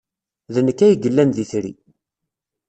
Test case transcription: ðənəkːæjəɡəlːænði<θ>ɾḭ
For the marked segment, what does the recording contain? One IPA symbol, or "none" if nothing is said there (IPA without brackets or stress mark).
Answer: θ